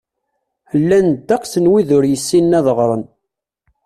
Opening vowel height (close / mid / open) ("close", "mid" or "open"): open